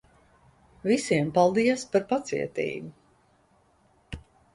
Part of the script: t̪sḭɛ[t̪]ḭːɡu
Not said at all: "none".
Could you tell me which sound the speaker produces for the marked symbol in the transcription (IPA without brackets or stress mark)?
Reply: t̪